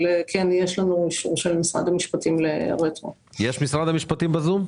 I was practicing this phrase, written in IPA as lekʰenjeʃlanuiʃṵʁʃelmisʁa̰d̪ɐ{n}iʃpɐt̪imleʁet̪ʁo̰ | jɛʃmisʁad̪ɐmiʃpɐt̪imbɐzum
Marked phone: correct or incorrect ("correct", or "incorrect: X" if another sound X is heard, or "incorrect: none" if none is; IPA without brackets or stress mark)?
incorrect: m